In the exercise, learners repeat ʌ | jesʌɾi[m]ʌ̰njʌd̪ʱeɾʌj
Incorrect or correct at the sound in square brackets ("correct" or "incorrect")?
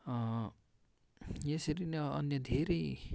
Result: incorrect